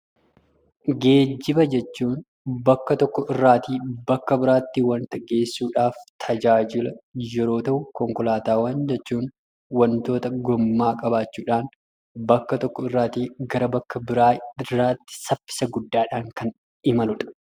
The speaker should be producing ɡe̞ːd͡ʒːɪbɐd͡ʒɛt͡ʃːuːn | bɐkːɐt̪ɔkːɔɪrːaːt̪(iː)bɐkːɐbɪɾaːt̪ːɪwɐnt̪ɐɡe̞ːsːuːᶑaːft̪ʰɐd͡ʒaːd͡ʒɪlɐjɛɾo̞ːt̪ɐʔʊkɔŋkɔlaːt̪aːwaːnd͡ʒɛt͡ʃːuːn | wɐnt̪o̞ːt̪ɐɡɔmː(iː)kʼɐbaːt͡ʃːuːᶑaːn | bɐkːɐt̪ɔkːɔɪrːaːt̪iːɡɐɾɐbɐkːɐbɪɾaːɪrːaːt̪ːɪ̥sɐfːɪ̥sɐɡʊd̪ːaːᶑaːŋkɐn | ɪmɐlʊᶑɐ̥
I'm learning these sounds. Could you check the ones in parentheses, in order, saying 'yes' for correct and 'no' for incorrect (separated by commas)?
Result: yes, no